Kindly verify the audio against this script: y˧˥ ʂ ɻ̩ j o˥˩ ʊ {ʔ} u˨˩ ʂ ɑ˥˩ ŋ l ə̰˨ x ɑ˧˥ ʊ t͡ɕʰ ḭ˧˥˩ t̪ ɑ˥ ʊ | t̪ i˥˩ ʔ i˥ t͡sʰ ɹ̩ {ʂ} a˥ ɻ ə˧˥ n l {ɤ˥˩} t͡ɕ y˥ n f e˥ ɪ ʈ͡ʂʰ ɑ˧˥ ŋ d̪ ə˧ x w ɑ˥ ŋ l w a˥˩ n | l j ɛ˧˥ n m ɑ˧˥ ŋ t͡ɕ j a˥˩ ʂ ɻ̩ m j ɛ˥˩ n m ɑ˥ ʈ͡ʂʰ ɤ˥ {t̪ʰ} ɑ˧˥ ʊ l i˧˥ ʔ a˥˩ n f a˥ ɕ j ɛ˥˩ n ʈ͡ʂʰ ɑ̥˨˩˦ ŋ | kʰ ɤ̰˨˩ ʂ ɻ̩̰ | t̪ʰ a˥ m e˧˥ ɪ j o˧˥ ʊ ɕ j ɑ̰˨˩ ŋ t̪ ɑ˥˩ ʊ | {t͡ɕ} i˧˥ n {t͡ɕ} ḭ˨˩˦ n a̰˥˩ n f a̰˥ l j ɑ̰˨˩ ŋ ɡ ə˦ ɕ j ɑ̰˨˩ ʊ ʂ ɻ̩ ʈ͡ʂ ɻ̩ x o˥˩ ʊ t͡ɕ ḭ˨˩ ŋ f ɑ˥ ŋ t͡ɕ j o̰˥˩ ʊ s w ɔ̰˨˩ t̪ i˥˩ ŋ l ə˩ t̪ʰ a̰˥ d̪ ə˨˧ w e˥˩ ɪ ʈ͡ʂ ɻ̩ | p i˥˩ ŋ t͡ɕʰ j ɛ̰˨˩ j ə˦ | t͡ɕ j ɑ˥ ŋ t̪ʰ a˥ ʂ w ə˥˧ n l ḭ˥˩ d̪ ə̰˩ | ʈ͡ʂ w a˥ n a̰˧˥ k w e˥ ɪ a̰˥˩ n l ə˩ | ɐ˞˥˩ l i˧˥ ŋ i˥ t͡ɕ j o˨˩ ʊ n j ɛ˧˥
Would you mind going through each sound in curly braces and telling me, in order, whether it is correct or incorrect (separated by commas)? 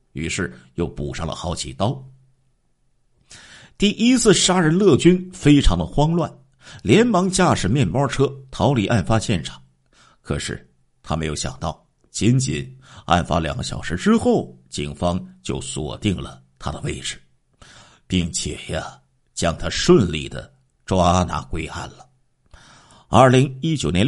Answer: incorrect, correct, correct, correct, correct, correct